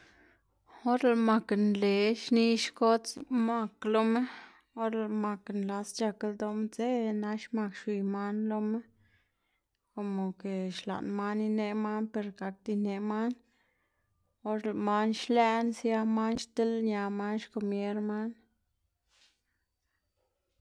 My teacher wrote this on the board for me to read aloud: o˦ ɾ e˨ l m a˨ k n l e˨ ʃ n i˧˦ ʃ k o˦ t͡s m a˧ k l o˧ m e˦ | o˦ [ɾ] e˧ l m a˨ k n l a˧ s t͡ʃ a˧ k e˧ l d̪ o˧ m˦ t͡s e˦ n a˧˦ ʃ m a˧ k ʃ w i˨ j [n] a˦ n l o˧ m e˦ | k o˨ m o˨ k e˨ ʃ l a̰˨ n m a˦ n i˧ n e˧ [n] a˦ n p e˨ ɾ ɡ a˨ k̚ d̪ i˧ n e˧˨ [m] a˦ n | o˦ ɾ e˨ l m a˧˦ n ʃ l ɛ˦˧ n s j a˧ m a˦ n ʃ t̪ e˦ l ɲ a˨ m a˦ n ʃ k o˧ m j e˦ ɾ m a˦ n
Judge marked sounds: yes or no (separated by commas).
yes, no, no, yes